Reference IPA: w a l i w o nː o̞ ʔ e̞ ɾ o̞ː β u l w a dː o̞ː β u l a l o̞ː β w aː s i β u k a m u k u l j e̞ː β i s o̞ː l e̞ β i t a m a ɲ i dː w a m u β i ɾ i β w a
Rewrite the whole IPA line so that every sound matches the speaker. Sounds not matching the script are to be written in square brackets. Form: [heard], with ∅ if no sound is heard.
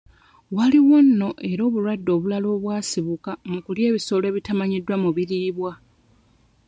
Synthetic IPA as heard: w a l i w o nː o̞ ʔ e̞ ɾ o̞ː β u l w a dː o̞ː β u l a l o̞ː β w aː s i β u k a m u k u l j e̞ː β i s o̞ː l e̞ β i t a m a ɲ i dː w a m u β i ɾ i β w a

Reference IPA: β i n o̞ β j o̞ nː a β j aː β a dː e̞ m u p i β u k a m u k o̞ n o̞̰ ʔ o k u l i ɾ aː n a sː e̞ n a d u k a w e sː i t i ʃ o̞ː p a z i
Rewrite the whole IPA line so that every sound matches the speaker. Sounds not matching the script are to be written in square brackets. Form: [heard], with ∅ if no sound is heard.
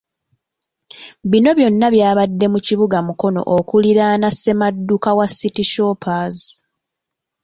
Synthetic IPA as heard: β i n o̞ β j o̞ nː a β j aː β a dː e̞ m u [c] i β u [ɡ] a m u k o̞ n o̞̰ ʔ o k u l i ɾ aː n a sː e̞ [m] a [dː] u k a w [a] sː i t i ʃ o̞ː p a z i

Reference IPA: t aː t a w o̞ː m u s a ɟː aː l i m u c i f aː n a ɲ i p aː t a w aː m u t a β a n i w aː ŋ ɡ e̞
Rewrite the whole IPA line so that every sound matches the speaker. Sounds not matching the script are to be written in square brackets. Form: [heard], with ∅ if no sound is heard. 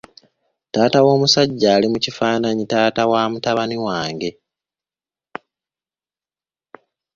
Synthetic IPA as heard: t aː t a w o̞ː m u s a ɟː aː l i m u c i f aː n a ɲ i [t] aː t a w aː m u t a β a n i w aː ŋ ɡ e̞

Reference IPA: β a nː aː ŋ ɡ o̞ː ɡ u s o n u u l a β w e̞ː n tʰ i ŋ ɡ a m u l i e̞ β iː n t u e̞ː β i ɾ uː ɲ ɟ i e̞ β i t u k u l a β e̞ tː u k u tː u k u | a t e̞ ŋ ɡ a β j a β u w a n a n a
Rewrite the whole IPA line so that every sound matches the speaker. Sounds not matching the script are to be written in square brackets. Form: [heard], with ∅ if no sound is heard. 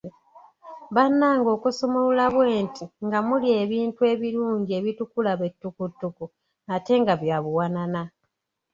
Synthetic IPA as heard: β a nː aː ŋ ɡ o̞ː [k] u s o [m] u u l a β w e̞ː n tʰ i ŋ ɡ a m u l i e̞ β iː n t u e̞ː β i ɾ uː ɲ ɟ i e̞ β i t u k u l a β e̞ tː u k u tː u k u | a t e̞ ŋ ɡ a β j a β u w a n a n a

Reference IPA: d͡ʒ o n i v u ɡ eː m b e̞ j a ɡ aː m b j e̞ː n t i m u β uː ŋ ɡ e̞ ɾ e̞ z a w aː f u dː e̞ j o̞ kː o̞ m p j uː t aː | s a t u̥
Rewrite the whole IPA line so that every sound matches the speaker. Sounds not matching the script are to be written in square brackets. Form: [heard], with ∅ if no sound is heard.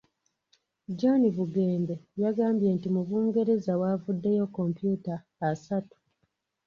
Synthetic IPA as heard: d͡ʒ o n i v u ɡ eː m b e̞ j a ɡ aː m b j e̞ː n t i m u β uː ŋ ɡ e̞ ɾ e̞ z a w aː [v] u dː e̞ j o̞ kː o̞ m p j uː t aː | s a t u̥

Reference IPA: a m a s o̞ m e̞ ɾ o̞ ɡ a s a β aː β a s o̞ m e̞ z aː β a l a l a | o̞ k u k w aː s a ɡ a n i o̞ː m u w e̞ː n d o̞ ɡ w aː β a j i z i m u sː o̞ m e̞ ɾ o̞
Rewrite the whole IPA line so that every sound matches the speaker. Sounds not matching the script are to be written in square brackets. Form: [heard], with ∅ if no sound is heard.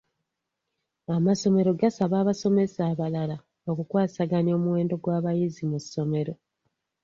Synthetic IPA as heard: a m a s o̞ m e̞ ɾ o̞ ɡ a s a β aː β a s o̞ m e̞ [s] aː β a l a l a | o̞ k u k w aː s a ɡ a n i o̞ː m u w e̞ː n d o̞ ɡ w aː β a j i z i m u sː o̞ m e̞ ɾ o̞

